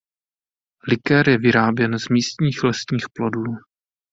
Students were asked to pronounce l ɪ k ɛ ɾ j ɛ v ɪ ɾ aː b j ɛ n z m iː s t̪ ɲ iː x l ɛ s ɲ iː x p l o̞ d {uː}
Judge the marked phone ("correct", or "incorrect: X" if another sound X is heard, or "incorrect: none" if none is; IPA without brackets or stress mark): correct